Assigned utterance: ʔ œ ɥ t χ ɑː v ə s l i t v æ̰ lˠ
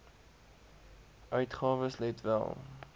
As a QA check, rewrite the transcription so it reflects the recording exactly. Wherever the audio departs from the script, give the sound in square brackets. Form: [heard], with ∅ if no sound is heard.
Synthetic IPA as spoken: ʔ œ ɥ t χ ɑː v ə s l [ɛ] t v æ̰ lˠ